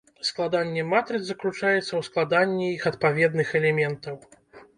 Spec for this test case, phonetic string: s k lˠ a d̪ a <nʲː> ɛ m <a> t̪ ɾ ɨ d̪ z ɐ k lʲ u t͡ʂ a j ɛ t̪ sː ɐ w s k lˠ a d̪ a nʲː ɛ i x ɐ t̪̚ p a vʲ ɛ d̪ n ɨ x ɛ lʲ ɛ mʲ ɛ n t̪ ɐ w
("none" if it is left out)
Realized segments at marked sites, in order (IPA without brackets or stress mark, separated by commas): nʲː, a